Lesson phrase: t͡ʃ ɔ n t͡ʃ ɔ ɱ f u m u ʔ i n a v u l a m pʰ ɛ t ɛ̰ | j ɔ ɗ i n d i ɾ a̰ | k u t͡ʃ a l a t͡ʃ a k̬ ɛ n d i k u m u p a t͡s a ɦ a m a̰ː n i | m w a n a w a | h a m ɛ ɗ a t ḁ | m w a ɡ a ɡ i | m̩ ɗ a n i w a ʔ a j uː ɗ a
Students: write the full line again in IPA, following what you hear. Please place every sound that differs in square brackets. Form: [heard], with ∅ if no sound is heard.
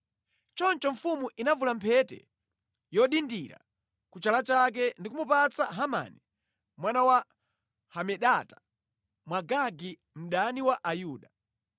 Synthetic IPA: t͡ʃ ɔ n t͡ʃ ɔ ɱ f u m u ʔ i n a v u l a m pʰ ɛ t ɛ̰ | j ɔ ɗ i n d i ɾ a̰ | k u t͡ʃ a l a t͡ʃ a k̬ ɛ n d i k u m u p a t͡s a ɦ a m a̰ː n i | m w a n a w a | h a m ɛ ɗ a t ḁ | m w a ɡ a ɡ i | m̩ ɗ a n i w a ʔ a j uː ɗ a

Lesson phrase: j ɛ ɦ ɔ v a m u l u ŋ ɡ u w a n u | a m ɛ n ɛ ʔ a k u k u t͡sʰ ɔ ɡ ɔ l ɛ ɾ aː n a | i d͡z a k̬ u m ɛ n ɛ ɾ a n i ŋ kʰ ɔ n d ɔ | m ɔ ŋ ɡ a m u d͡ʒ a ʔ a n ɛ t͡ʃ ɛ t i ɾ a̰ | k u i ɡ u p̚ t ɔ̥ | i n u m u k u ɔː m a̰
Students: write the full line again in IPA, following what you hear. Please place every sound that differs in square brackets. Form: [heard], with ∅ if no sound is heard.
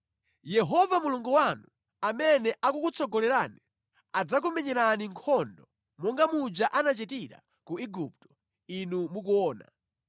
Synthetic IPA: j ɛ ɦ ɔ v a m u l u ŋ ɡ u w a n u | a m ɛ n ɛ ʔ a k u k u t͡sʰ ɔ ɡ ɔ l ɛ ɾ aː n [i] | [a] d͡z a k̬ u m ɛ [ɲ] ɛ ɾ a n i ŋ kʰ ɔ n d ɔ | m ɔ ŋ ɡ a m u d͡ʒ a ʔ a n [a] t͡ʃ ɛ t i ɾ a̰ | k u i ɡ u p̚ t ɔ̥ | i n u m u k u ɔː [n] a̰

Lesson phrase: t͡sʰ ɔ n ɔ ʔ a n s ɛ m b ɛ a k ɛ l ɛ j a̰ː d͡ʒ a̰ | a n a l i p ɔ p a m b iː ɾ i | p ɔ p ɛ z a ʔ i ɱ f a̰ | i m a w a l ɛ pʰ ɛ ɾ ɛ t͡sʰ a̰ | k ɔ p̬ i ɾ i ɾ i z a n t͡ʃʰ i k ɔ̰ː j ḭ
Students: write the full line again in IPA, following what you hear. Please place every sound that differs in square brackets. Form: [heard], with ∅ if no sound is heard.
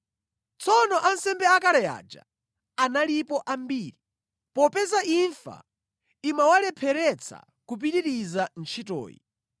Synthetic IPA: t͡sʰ ɔ n ɔ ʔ a n s ɛ m b ɛ a k [a] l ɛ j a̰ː d͡ʒ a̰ | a n a l i p ɔ [ʔ] a m b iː ɾ i | p ɔ p ɛ z a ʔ i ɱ f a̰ | i m a w a l ɛ pʰ ɛ ɾ ɛ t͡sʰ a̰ | k [u] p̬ i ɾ i ɾ i z a n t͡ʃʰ i [t] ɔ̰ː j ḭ

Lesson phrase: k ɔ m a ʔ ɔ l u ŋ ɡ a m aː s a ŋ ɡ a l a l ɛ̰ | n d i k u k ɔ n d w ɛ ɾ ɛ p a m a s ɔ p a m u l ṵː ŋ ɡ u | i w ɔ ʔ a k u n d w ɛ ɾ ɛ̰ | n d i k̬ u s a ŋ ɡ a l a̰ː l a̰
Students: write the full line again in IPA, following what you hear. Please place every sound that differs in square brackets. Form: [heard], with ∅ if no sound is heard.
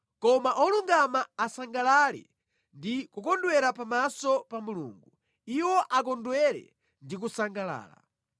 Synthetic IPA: k ɔ m a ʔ ɔ l u ŋ ɡ a m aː s a ŋ ɡ a l a l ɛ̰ | n d i k u k ɔ n d w ɛ ɾ [a] p a m a s ɔ p a m u l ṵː ŋ ɡ u | i w ɔ ʔ a k [ɔ] n d w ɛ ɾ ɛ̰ | n d i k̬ u s a ŋ ɡ a l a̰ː l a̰

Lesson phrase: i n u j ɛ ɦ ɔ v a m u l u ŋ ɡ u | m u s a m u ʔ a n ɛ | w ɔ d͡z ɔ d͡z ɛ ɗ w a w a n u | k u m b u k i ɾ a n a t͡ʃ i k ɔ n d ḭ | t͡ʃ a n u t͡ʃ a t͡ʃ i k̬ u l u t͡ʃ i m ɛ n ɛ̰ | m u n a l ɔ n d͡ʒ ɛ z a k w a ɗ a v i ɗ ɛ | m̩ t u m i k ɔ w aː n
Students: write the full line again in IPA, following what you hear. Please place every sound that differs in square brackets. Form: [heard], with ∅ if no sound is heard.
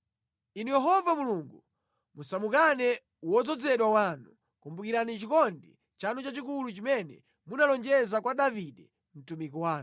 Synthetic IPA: i n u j ɛ ɦ ɔ v a m u l u ŋ ɡ u | m u s a m u [k] a n ɛ | w ɔ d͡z ɔ d͡z ɛ ɗ w a w a n u | k u m b u k i ɾ a n [i] t͡ʃ i k ɔ n d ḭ | t͡ʃ a n u t͡ʃ a t͡ʃ i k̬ u l u t͡ʃ i m ɛ n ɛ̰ | m u n a l ɔ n d͡ʒ ɛ z a k w a ɗ a v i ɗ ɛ | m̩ t u m i k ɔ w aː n

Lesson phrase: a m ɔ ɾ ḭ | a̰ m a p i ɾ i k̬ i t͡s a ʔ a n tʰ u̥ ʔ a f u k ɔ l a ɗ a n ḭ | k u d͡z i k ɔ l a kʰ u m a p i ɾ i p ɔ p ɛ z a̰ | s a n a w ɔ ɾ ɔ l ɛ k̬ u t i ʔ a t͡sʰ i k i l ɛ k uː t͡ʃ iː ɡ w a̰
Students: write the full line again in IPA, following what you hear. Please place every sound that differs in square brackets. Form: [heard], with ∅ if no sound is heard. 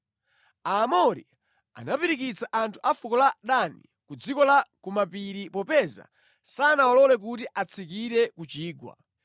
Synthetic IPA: a m ɔ ɾ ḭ | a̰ [n] a p i ɾ i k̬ i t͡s a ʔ a n tʰ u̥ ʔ a f u k ɔ l a ɗ a n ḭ | k u d͡z i k ɔ l a [k] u m a p i ɾ i p ɔ p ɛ z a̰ | s a n a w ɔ [l] ɔ l ɛ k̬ u t i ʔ a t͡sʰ i k i [ɾ] ɛ k [u] t͡ʃ iː ɡ w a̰

